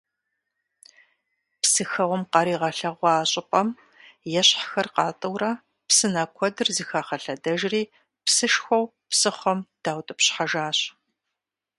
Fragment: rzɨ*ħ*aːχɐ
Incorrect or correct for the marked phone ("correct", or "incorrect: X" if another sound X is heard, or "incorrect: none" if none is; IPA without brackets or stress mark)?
incorrect: x